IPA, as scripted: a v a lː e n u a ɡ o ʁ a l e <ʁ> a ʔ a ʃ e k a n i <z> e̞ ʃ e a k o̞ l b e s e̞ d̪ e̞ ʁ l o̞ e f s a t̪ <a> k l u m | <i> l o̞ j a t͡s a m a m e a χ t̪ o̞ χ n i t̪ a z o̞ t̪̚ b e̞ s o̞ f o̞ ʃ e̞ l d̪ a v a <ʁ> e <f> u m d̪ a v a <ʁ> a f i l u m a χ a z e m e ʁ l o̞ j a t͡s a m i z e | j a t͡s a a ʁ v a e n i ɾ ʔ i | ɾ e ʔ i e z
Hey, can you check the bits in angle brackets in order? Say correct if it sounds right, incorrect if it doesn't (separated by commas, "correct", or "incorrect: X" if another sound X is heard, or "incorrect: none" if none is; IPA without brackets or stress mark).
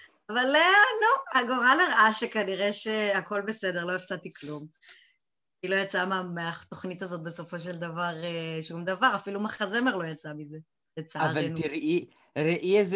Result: correct, incorrect: ʁ, incorrect: i, correct, correct, incorrect: ʃ, correct